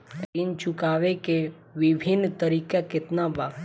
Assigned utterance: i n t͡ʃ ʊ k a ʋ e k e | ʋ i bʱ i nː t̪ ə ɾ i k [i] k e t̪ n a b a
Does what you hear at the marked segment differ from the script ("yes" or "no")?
yes